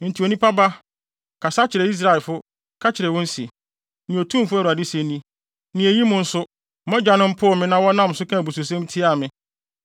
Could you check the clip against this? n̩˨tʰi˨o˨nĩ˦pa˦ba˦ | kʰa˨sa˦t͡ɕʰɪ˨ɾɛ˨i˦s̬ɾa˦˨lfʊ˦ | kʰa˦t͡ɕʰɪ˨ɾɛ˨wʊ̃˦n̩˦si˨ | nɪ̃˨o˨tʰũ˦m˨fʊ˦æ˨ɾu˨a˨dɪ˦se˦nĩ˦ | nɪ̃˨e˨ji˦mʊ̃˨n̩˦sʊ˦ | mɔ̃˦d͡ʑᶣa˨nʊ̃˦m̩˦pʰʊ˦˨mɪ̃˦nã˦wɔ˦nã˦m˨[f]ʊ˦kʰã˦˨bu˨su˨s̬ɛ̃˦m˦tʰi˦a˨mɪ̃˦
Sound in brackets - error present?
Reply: yes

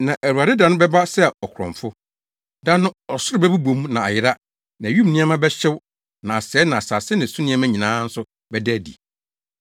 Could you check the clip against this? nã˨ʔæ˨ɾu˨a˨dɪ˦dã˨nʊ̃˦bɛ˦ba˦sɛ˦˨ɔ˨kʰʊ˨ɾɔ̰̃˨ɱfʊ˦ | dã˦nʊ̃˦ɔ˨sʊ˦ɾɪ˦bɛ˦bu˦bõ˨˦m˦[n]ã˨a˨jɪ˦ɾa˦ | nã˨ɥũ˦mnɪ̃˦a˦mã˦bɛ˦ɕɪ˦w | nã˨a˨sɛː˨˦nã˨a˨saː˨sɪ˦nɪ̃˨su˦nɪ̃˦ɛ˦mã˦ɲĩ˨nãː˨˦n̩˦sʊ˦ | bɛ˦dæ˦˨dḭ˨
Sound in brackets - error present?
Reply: no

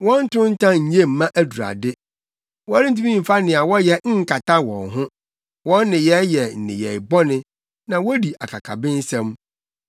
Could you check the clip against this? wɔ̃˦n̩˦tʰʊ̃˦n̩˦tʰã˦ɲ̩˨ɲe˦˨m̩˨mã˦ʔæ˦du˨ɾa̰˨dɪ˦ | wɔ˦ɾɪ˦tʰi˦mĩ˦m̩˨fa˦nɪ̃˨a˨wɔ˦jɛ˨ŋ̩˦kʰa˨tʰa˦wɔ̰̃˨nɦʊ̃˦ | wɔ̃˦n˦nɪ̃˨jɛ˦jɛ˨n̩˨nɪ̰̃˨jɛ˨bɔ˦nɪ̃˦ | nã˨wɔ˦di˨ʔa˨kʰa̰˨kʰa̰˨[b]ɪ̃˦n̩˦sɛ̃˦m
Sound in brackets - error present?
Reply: no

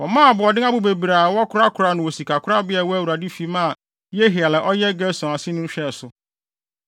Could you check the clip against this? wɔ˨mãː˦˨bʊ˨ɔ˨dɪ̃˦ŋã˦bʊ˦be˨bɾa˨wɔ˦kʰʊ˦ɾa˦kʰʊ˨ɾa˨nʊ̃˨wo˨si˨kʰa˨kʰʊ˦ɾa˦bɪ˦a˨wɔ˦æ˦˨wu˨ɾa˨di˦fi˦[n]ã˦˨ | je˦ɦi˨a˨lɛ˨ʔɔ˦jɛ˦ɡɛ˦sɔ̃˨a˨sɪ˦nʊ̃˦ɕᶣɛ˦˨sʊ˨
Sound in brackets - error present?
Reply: yes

